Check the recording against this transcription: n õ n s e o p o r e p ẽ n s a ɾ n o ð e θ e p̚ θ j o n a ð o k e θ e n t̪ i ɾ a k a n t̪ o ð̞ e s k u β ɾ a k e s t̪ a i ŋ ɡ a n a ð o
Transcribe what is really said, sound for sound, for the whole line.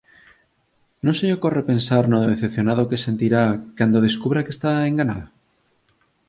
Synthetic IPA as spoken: n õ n s e o k o r e p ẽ n s a ɾ n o ð e θ e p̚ θ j o n a ð o k e s e n t̪ i ɾ a k a n d̪ o ð̞ e s k u β ɾ a k e s t̪ a e ŋ ɡ a n a ð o